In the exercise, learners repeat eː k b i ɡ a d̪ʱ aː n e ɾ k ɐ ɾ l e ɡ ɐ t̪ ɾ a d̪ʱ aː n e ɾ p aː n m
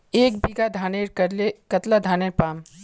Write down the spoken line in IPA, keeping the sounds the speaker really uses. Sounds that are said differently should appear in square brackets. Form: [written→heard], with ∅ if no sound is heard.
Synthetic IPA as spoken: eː k b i ɡ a d̪ʱ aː n e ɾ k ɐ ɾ l e [ɡ→k] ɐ t̪ [ɾ→l] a d̪ʱ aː n e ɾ p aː [n→∅] m